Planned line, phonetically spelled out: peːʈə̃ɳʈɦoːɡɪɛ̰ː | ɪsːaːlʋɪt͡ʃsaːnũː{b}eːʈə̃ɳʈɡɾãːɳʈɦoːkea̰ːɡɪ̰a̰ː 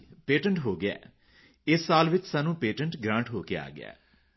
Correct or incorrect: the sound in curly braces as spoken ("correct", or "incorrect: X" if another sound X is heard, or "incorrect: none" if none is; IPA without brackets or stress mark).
incorrect: p